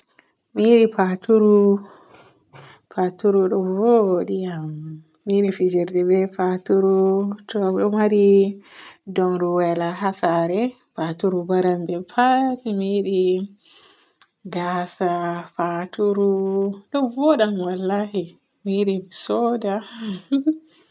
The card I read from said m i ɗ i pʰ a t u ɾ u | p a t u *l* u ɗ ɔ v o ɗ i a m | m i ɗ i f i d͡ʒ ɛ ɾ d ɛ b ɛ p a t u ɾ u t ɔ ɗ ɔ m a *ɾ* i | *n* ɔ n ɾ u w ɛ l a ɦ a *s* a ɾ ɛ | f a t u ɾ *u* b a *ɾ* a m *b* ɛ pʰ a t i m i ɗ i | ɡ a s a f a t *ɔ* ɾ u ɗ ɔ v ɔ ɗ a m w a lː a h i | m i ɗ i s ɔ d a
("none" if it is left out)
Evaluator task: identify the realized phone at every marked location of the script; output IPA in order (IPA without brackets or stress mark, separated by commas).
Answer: ɾ, ɾ, d, s, u, ɾ, b, u